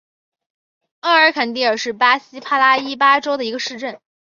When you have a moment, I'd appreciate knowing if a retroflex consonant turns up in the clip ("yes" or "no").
yes